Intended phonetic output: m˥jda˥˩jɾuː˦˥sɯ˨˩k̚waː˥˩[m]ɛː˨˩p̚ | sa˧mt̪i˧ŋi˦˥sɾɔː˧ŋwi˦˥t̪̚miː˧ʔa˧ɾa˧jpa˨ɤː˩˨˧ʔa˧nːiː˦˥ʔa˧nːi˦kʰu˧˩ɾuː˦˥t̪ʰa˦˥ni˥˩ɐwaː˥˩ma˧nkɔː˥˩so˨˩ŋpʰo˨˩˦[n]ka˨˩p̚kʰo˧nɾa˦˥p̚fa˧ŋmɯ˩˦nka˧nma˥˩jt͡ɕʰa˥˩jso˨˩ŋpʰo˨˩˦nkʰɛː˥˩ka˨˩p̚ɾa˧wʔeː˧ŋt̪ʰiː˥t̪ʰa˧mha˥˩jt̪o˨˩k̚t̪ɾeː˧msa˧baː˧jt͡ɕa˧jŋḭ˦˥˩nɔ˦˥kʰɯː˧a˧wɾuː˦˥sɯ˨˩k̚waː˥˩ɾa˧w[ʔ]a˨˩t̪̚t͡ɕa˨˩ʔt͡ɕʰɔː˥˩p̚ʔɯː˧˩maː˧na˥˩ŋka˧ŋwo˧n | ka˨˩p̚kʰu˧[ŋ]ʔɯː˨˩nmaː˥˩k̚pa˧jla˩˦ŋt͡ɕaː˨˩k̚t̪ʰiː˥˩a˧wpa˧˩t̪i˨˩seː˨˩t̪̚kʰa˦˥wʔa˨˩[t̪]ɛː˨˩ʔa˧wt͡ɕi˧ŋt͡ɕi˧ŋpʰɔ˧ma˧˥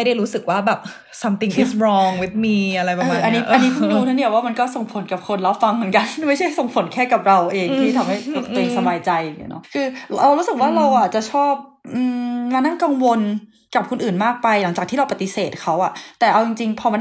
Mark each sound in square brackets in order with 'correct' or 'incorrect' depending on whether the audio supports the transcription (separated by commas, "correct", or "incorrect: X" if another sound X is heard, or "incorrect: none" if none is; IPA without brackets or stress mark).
incorrect: b, correct, correct, incorrect: n, correct